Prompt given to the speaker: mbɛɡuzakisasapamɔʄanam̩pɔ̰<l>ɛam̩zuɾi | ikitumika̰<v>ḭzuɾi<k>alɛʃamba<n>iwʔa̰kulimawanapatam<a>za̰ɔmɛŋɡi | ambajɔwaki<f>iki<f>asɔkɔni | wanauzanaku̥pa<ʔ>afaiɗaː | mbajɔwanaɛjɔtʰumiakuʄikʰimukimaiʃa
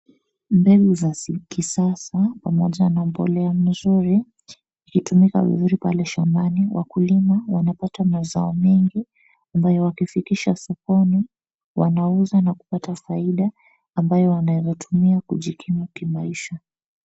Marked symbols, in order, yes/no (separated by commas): yes, yes, no, yes, yes, yes, no, no